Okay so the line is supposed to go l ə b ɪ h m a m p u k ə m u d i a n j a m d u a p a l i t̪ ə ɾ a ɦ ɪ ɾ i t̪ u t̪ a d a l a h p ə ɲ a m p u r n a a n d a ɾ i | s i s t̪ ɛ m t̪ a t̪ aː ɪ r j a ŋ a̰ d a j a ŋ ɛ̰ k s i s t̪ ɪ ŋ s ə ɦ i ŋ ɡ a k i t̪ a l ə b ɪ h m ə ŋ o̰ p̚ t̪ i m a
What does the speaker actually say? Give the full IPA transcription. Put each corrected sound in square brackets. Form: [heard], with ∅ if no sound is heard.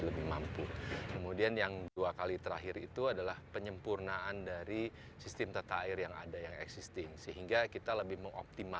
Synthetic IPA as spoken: l ə b ɪ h m a m p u k ə m u d i a n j a [ŋ] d u a [k] a l i t̪ ə ɾ a ɦ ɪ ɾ i t̪ u [∅] a d a l a h p ə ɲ [ə] m p u r n a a n d a ɾ i | s i s t̪ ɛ m t̪ a t̪ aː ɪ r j a ŋ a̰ d a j a ŋ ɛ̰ k s i s t̪ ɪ ŋ s ə ɦ i ŋ ɡ a k i t̪ a l ə b ɪ h m ə ŋ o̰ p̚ t̪ i m a

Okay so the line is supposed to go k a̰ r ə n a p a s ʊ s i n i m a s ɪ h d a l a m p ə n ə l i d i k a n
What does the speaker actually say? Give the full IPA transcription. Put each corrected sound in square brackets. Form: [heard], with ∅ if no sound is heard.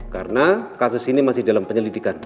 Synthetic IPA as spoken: k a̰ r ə n a [k] a s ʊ s i n i m a s ɪ h d a l a m p ə [ɲ] ə l i d i k a n

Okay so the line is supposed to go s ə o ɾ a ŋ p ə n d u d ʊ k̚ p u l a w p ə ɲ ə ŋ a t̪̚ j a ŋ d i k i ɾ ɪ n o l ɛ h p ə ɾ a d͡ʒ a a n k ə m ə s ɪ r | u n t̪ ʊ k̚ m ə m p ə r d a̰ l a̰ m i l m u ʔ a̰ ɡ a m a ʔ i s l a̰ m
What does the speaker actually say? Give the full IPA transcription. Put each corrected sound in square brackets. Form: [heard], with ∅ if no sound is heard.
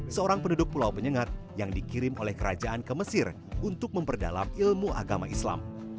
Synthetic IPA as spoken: s ə o ɾ a ŋ p ə n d u d ʊ k̚ p u l a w p ə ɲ ə ŋ a t̪̚ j a ŋ d i k i ɾ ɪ [m] o l ɛ h [k] ə ɾ a d͡ʒ a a n k ə m ə s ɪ r | u n t̪ ʊ k̚ m ə m p ə r d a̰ l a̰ m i l m u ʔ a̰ ɡ a m a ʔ i s l a̰ m

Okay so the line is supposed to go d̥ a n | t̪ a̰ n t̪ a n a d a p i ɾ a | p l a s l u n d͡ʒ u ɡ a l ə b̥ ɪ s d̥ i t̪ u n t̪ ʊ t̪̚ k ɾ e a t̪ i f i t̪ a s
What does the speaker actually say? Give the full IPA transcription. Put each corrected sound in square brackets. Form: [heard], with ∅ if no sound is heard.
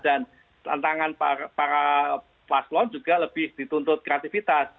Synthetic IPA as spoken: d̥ a n | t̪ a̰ n t̪ a [ŋ] a [n] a p [a] ɾ a | p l a s l [ɔ] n d͡ʒ u ɡ a l ə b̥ ɪ [h] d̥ i t̪ u n t̪ ʊ t̪̚ k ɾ e a t̪ i f i t̪ a s

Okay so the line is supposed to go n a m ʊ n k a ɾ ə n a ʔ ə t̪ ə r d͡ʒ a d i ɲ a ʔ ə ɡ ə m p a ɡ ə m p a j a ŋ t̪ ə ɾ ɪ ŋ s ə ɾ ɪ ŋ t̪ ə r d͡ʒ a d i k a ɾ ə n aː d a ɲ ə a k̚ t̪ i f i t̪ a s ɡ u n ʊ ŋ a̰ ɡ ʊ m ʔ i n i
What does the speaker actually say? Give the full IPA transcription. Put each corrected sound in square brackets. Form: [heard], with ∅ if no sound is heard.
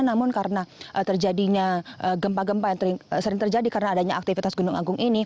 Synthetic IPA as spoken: n a m ʊ n k a ɾ ə n a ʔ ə t̪ ə r d͡ʒ a d i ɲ a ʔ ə ɡ ə m p a ɡ ə m p a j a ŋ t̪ ə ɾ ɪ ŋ s ə ɾ ɪ ŋ t̪ ə r d͡ʒ a d i k a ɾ ə n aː d a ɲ [a] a k̚ t̪ i f i t̪ a s ɡ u n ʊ ŋ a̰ ɡ ʊ [ŋ] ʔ i n i

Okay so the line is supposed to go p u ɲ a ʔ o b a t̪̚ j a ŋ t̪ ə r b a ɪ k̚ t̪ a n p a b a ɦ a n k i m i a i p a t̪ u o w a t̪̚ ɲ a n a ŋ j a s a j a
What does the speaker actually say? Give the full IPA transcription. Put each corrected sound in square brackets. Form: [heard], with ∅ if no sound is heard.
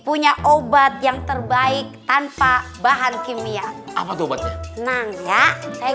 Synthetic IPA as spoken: p u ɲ a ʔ o b a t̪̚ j a ŋ t̪ ə r b a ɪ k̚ t̪ a n p a b a ɦ a n k i m i a [a] p a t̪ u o [b] a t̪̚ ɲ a n a ŋ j a s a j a

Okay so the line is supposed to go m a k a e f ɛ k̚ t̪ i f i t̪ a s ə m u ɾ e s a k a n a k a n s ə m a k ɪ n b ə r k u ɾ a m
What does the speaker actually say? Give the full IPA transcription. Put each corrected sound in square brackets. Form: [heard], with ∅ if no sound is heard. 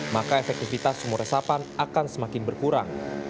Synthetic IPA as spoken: m a k a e f ɛ k̚ t̪ i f i t̪ a s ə m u ɾ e s a [p] a n a k a n s ə m a k ɪ n b ə r k u ɾ a [ŋ]

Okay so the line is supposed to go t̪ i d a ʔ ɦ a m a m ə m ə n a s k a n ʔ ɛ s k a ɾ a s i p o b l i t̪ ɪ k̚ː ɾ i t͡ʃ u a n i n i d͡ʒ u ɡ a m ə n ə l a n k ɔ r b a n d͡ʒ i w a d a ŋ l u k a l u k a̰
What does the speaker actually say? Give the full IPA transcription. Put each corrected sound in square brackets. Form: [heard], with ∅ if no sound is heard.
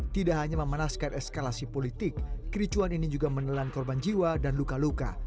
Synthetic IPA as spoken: t̪ i d a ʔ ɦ a [ɲ] a m ə m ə n a s k a n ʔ ɛ s k a [l] a s i p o [∅] l i t̪ ɪ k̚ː ɾ i t͡ʃ u a n i n i d͡ʒ u ɡ a m ə n ə l a n k ɔ r b a n d͡ʒ i w a d a [n] l u k a l u k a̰

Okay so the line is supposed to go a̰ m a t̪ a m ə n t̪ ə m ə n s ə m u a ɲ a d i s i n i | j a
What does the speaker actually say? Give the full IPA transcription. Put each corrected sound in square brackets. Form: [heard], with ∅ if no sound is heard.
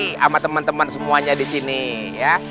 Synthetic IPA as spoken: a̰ m a t̪ [ə] m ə n t̪ ə m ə n s ə m u a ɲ a d i s i n i | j a

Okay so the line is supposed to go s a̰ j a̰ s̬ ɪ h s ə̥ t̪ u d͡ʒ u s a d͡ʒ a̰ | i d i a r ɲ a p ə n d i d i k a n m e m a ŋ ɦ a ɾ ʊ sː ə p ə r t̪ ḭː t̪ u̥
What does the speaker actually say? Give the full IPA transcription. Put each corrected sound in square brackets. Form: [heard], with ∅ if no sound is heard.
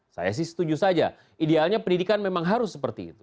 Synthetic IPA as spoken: s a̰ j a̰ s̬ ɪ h s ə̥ t̪ u d͡ʒ u s a d͡ʒ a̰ | i d [e] a [l] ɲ a p ə n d i d i k a n m e m a ŋ ɦ a ɾ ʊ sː ə p ə r t̪ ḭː t̪ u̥

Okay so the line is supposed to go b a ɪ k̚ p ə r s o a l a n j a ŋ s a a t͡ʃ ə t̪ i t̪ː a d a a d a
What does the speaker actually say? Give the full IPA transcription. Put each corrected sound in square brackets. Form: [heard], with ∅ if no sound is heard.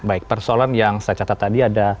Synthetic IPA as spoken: b a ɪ k̚ p ə r s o a l a n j a ŋ s a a t͡ʃ [a] t̪ [a] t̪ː a d [i] a d a

